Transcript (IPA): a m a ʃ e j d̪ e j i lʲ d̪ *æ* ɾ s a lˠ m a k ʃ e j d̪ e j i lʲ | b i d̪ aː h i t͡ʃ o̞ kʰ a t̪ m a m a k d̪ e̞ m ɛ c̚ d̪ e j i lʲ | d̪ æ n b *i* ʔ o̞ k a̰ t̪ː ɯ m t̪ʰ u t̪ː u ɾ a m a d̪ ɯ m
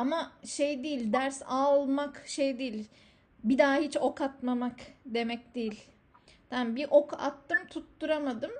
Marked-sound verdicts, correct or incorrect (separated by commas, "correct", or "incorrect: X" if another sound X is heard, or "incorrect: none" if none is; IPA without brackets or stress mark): correct, correct